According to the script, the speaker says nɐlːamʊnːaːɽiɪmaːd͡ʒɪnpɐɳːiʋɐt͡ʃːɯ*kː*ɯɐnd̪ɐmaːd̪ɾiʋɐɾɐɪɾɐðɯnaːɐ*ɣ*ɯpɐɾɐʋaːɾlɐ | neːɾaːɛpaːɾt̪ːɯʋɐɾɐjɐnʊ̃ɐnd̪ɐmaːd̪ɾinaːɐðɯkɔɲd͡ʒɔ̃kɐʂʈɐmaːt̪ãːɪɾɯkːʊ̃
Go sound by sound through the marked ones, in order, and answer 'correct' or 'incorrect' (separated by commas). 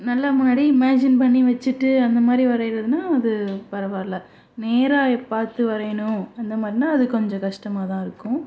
incorrect, incorrect